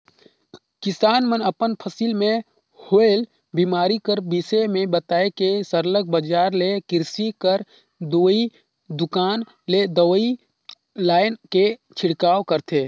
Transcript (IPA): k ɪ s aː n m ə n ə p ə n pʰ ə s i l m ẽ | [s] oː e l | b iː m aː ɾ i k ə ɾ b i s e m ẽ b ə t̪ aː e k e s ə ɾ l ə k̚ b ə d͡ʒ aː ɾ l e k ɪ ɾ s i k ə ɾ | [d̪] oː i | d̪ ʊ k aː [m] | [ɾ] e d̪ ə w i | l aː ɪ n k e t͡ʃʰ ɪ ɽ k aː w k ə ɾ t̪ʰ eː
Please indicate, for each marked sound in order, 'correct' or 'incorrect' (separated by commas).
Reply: incorrect, correct, incorrect, incorrect